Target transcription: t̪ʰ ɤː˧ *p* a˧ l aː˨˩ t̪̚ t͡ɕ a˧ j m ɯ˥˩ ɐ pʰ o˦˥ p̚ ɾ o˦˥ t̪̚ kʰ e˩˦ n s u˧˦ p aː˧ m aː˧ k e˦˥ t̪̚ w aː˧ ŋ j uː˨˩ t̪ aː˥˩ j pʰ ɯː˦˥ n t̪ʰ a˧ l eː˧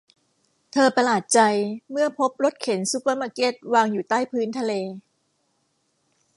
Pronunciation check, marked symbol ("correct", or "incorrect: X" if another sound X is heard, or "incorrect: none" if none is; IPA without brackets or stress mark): correct